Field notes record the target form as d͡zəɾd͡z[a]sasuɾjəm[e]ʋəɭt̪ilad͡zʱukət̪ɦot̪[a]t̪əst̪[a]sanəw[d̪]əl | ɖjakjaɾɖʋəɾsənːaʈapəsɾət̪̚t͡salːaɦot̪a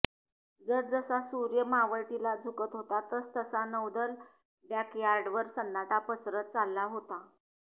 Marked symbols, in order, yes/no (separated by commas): no, no, yes, no, yes